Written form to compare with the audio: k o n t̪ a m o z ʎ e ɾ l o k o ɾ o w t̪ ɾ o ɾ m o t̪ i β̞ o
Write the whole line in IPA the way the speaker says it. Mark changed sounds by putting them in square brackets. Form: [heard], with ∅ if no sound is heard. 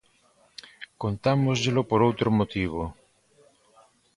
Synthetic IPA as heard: k o n t̪ a m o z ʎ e [∅] l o [p] o ɾ o w t̪ ɾ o [∅] m o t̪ i β̞ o